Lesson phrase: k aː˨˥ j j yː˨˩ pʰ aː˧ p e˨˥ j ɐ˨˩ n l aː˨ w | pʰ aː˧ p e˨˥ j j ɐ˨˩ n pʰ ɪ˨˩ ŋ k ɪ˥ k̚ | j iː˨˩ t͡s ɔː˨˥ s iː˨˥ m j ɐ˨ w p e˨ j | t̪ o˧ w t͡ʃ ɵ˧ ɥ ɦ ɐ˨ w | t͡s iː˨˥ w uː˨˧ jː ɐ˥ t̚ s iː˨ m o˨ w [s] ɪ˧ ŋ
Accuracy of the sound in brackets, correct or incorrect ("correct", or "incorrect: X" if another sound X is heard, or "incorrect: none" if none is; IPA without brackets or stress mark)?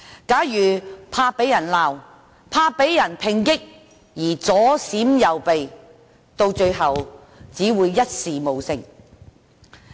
correct